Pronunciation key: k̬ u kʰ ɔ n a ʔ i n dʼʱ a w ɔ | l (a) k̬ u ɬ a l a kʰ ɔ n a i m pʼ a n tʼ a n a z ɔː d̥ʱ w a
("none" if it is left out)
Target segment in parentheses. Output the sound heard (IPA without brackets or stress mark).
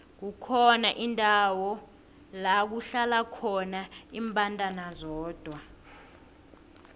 a